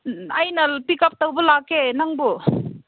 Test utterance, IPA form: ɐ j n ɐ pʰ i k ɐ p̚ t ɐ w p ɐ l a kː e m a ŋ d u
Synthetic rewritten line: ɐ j n ɐ p i k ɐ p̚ t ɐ w b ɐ l a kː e n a ŋ b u